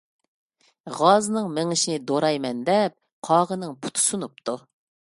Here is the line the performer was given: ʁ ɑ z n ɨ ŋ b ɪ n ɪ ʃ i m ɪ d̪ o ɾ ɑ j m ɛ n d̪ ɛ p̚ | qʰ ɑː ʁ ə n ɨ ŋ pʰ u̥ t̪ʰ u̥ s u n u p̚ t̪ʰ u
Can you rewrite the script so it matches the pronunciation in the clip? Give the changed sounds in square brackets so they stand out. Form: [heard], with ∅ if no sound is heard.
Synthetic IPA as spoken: ʁ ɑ z n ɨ ŋ [m] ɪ [ŋ] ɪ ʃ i [n] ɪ d̪ o ɾ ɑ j m ɛ n d̪ ɛ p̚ | qʰ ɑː ʁ ə n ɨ ŋ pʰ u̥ t̪ʰ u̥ s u n u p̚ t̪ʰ u

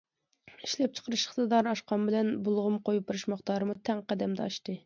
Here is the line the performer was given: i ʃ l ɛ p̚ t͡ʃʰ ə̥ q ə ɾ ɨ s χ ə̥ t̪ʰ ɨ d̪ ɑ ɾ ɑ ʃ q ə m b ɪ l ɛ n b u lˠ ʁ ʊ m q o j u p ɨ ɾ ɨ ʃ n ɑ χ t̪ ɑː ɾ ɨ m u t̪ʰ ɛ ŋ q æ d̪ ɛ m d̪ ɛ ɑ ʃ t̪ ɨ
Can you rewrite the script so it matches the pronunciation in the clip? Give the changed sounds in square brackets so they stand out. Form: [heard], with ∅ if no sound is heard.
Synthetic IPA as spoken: i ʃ l ɛ p̚ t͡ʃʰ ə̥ q ə ɾ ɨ [ʃ] χ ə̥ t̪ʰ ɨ d̪ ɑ ɾ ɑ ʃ q [ɑ] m b ɪ l ɛ n b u lˠ ʁ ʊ m q o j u p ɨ ɾ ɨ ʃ [m] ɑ χ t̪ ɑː ɾ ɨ m u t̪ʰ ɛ ŋ q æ d̪ ɛ m d̪ ɛ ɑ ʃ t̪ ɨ

